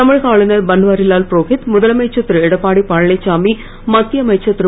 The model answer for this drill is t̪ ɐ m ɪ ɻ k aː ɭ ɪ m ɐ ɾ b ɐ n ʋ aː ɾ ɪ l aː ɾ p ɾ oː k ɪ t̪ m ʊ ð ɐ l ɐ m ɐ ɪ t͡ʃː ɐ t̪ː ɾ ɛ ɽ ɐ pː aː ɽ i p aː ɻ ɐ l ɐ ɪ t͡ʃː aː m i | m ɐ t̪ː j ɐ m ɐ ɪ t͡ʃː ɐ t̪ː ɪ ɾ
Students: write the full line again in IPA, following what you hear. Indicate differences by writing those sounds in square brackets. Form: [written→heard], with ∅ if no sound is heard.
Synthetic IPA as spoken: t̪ ɐ m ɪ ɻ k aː ɭ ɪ [m→n] ɐ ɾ b ɐ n ʋ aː ɾ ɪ l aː [ɾ→l] p ɾ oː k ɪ t̪ m ʊ ð ɐ l ɐ m ɐ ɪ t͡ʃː ɐ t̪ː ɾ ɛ ɽ ɐ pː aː ɽ i p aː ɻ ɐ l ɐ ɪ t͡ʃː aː m i | m ɐ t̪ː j ɐ m ɐ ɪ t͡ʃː ɐ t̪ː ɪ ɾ